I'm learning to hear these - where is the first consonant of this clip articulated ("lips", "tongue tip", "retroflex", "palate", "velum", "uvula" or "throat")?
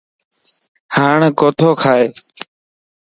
throat